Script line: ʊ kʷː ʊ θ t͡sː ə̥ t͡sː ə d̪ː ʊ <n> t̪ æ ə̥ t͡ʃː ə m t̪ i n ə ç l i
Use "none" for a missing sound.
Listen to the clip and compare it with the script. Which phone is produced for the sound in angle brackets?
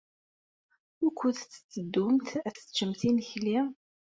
m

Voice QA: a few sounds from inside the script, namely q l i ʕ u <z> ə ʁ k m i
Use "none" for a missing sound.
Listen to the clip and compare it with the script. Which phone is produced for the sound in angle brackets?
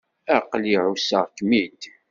s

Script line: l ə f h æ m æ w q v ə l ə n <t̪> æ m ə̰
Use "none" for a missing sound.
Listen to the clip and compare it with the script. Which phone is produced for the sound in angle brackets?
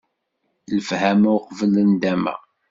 d̪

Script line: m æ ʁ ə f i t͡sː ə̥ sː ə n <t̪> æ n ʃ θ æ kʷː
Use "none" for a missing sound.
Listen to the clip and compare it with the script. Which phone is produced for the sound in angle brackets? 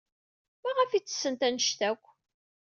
t̪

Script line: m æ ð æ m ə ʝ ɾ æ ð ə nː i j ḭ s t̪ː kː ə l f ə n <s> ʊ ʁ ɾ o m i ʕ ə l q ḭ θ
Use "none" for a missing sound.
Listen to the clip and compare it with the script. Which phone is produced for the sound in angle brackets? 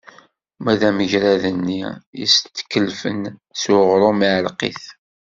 s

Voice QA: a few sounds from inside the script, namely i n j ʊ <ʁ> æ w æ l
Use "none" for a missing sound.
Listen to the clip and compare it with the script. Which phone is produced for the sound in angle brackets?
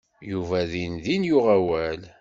ʁ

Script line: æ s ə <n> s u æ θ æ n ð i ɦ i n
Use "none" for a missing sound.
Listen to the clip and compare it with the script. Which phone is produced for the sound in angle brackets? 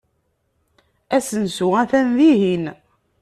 n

